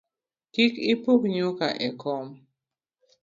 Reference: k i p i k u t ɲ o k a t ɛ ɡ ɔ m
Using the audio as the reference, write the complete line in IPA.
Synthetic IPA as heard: k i k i p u k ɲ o k a ʔ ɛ k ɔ m